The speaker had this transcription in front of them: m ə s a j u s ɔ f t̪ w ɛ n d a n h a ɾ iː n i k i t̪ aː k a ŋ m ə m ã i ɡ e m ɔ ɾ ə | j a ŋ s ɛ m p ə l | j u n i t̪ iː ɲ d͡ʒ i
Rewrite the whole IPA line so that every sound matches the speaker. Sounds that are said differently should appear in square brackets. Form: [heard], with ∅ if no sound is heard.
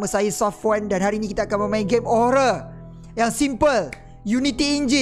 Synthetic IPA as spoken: m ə s a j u s ɔ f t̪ w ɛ n d a n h a ɾ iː n i k i t̪ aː k a [n] m ə m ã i ɡ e m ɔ ɾ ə | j a ŋ s [i] m p ə l | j u n i t̪ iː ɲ d͡ʒ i